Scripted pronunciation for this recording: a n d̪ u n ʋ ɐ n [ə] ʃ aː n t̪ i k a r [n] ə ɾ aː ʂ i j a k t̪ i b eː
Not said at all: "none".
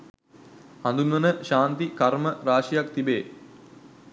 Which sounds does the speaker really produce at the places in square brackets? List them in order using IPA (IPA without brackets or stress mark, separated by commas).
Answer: ə, m